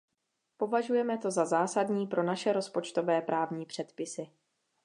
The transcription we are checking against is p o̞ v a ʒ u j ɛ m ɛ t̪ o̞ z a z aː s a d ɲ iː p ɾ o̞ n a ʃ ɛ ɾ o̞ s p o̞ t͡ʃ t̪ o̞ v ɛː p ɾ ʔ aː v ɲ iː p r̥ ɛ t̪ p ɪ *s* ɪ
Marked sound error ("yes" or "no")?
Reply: no